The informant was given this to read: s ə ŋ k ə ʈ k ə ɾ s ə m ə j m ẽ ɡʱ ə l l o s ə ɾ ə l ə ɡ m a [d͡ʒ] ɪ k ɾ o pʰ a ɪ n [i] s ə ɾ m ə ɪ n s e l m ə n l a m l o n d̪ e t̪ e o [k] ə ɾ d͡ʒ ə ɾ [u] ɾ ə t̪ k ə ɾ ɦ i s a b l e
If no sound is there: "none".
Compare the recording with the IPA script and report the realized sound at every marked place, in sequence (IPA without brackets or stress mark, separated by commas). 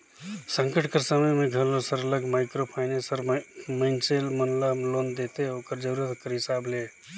none, e, k, u